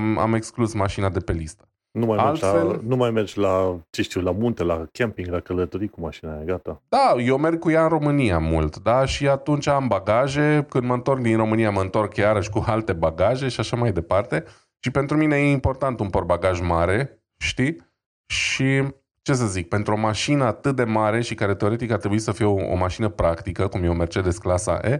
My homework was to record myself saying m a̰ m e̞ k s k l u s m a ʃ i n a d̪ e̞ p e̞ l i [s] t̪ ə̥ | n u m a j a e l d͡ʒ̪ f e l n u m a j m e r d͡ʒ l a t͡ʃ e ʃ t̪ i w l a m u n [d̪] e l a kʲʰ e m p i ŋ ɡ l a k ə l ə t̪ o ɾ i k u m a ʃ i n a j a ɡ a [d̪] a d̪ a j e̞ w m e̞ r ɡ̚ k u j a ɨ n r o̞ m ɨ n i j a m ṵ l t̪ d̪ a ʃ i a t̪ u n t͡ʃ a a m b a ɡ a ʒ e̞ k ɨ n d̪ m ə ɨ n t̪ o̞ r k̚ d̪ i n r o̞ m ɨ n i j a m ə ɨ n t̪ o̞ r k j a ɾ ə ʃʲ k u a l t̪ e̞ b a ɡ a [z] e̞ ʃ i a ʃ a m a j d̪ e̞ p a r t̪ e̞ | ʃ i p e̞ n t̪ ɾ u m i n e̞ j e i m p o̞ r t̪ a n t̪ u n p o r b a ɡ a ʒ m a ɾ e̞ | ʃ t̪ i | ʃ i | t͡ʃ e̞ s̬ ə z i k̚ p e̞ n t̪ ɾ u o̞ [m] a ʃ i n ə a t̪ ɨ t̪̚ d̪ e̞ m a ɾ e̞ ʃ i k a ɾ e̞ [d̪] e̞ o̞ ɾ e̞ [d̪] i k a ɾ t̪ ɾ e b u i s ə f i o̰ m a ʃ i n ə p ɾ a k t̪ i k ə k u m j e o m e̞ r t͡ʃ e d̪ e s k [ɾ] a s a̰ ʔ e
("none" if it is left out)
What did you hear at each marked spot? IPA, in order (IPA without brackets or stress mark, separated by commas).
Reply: s, t̪, t̪, ʒ, m, t̪, t̪, l